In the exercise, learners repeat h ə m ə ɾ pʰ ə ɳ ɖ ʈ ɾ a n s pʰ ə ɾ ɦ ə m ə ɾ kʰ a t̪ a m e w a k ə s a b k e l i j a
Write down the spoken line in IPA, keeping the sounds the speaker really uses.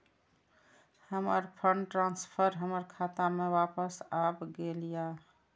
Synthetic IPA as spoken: h ə m ə ɾ pʰ ə ɳ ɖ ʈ ɾ a n s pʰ ə ɾ ɦ ə m ə ɾ kʰ a t̪ a m e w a p ə s a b ɡ e l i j a